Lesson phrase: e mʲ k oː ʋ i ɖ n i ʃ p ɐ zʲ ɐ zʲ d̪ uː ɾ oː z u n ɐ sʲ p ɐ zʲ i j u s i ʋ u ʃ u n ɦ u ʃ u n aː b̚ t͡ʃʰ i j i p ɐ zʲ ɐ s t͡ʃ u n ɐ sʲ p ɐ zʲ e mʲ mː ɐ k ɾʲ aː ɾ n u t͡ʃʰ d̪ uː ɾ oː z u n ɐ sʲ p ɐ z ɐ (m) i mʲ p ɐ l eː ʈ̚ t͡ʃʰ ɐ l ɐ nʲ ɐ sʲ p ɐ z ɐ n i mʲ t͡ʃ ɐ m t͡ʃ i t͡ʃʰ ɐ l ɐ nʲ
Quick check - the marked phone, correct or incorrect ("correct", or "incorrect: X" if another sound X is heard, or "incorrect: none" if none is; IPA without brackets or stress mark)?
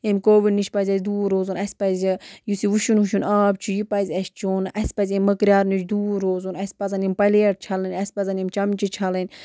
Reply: incorrect: n